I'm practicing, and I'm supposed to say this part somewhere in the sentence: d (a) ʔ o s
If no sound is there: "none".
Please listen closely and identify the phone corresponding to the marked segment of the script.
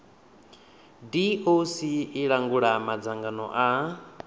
i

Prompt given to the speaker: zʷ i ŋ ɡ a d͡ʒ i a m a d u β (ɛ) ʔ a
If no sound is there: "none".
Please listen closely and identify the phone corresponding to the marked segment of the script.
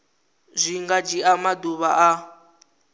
a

